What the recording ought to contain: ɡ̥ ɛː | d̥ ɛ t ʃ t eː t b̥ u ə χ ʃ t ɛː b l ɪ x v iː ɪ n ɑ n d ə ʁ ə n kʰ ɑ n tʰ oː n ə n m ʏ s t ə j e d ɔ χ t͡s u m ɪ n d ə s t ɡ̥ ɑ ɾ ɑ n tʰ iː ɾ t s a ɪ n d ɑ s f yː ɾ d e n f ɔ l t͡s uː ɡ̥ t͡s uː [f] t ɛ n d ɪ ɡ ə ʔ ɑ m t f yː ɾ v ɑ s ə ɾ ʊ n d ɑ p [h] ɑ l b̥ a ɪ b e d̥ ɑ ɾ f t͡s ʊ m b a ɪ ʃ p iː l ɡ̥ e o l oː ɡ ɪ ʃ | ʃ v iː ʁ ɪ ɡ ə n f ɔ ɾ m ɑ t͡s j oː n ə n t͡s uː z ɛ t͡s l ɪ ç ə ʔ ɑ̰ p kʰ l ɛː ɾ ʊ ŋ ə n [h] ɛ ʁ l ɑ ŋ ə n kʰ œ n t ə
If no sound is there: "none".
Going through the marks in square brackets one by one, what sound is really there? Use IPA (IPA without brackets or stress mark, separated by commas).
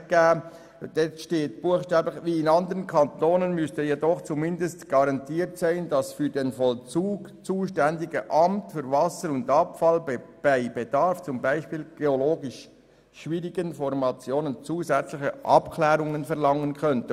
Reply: ʃ, f, f